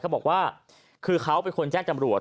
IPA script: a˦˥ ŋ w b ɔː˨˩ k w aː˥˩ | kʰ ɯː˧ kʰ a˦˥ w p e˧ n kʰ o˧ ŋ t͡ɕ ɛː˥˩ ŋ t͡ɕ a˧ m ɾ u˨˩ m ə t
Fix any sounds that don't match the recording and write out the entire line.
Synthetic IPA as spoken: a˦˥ w b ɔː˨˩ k w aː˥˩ | kʰ ɯː˧ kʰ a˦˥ w p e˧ n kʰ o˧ n t͡ɕ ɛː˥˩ ŋ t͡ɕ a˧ m ɾ u˨˩ ə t